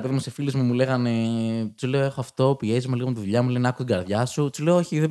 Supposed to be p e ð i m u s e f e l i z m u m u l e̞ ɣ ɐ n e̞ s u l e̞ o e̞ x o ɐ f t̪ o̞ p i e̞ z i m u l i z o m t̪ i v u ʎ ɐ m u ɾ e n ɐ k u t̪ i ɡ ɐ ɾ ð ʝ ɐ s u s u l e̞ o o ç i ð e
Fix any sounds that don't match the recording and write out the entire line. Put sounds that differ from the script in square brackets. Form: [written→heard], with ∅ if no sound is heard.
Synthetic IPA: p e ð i m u s e f [e→i] l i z m u m u l e̞ ɣ ɐ n e̞ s u l e̞ o e̞ x o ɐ f t̪ o̞ p i e̞ z i m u l i [z→ɣ] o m t̪ i [v→ð] u ʎ ɐ m u [ɾ→l] e n ɐ k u t̪ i ɡ ɐ ɾ ð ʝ ɐ s u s u l e̞ o o ç i ð e